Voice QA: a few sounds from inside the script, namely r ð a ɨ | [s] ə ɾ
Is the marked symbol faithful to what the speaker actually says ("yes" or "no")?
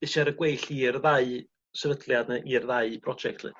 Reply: yes